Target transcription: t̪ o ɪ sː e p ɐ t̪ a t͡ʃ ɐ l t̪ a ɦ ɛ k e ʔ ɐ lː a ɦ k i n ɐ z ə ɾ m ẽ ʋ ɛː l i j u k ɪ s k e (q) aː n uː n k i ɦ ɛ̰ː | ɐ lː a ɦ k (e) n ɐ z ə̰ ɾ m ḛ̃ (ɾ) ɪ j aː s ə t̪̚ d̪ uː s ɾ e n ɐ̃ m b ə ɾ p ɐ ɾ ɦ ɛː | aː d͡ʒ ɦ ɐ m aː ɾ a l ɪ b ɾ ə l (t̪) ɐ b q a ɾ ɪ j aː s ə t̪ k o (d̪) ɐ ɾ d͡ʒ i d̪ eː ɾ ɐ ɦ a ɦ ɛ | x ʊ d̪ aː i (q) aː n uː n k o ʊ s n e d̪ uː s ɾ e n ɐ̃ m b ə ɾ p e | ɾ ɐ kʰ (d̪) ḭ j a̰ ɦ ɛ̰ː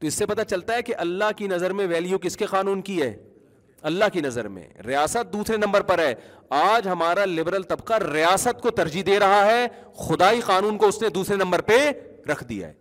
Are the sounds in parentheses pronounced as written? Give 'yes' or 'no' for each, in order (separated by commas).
yes, no, yes, yes, no, yes, yes